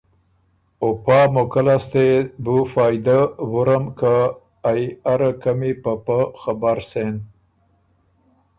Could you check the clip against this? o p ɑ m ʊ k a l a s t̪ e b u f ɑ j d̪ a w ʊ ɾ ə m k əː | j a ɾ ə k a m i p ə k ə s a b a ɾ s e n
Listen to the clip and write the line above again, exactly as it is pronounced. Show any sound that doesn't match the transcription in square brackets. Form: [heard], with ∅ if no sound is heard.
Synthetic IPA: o p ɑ m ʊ k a l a s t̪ e b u f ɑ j d̪ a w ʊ ɾ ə m k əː | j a ɾ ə k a m i p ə [p] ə [x] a b a ɾ s e n